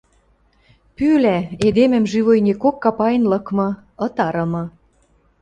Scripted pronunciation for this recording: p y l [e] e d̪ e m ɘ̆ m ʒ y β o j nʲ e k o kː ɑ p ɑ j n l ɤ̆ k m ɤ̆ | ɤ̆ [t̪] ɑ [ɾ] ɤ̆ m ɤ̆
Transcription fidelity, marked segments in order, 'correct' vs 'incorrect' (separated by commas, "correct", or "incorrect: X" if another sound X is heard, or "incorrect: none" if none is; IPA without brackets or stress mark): incorrect: æ, correct, correct